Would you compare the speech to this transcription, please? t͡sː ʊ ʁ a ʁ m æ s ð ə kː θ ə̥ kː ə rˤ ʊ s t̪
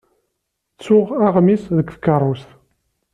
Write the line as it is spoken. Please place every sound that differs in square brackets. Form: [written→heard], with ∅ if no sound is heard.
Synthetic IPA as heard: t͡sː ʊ ʁ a ʁ m [æ→i] s ð ə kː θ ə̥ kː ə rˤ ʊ s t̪